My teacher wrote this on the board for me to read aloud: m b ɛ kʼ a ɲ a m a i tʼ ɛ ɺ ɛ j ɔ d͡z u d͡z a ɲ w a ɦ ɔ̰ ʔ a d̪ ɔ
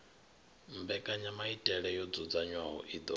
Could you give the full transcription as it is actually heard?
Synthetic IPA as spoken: m b ɛ kʼ a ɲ a m a i tʼ ɛ ɺ ɛ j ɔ d͡z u d͡z a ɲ w a ɦ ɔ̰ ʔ i d̪ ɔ